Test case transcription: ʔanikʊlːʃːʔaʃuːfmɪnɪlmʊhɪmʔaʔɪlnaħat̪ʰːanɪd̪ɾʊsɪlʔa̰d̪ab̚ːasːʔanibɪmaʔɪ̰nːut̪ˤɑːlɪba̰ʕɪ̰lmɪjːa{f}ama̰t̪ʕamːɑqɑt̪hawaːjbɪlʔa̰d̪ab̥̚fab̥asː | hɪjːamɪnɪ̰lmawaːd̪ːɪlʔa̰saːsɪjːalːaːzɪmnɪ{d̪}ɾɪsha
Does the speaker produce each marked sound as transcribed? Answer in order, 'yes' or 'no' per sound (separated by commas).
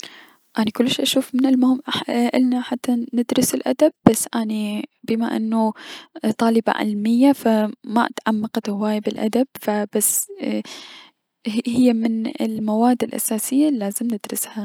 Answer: yes, yes